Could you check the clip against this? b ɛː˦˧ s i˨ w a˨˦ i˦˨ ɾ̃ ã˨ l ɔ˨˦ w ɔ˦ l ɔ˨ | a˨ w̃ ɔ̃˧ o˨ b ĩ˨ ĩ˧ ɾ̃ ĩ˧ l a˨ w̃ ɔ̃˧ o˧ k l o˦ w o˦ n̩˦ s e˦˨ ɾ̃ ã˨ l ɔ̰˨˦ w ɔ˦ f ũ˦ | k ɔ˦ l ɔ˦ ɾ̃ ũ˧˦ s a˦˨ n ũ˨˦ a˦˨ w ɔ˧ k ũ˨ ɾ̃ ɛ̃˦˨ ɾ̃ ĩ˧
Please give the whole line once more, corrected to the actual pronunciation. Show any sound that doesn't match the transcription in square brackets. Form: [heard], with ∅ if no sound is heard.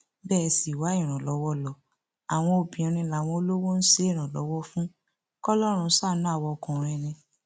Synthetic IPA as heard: b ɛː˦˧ s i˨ w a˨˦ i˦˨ ɾ̃ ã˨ l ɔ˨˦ w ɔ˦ l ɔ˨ | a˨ w̃ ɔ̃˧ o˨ b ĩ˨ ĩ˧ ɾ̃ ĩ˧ l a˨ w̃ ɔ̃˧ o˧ [∅] l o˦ w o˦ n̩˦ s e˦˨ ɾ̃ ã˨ l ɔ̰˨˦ w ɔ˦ f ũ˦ | k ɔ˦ l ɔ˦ ɾ̃ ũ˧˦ s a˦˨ n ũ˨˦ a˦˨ w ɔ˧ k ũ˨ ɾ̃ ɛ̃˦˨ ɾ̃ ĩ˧